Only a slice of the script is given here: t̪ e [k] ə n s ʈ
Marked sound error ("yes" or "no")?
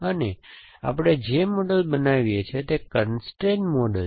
no